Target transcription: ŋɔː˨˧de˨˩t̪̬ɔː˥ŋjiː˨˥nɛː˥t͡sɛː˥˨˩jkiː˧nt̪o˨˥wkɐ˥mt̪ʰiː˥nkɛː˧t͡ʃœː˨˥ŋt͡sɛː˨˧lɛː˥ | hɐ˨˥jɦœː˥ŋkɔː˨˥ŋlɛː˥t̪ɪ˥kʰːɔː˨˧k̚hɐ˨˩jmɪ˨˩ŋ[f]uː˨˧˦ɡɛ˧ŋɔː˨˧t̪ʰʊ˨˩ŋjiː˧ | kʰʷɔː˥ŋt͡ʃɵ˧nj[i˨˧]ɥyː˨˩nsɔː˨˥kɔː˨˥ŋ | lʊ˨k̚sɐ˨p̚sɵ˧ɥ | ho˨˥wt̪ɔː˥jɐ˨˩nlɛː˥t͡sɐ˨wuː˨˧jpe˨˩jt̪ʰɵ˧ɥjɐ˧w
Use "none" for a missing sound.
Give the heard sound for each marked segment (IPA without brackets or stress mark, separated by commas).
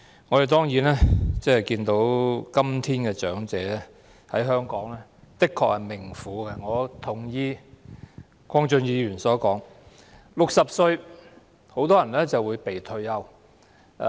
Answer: f, iː˨˧